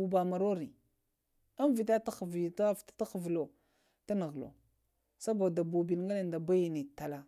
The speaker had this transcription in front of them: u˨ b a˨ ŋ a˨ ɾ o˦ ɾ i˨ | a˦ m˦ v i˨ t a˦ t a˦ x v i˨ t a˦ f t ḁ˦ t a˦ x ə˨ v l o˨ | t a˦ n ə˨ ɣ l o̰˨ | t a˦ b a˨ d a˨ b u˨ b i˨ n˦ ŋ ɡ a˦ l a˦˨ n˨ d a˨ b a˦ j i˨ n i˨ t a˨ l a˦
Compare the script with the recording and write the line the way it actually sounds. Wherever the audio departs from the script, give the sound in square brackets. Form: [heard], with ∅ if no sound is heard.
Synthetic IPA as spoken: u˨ b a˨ [m] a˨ ɾ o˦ ɾ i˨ | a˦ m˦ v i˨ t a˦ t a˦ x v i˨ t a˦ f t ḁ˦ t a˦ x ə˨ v l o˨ | t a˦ n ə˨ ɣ l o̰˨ | [s] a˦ b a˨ d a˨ b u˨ b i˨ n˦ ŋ ɡ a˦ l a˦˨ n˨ d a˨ b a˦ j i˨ n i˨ t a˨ l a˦